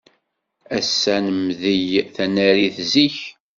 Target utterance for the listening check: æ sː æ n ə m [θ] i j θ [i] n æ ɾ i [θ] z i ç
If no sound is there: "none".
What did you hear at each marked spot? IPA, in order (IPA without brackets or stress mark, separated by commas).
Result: ð, æ, θ